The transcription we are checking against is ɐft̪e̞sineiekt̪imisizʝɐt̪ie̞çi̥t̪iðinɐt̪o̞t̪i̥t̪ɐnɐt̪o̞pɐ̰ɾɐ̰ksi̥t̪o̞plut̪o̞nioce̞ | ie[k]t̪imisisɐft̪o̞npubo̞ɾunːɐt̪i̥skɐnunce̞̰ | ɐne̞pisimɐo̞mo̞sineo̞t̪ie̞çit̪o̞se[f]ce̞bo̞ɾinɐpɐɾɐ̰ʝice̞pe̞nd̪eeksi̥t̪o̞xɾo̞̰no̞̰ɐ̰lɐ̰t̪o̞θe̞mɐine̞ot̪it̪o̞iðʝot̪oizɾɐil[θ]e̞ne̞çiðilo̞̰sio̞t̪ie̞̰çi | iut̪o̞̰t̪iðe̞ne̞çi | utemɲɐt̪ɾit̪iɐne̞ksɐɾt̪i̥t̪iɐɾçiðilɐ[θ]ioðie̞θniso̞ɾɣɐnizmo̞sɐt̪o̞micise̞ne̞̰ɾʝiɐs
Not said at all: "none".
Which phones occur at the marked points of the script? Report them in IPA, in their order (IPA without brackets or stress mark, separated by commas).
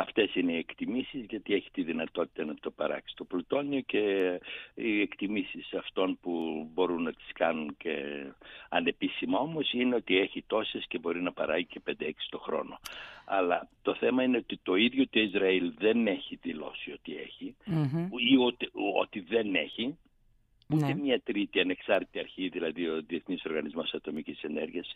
k, s, ð, ð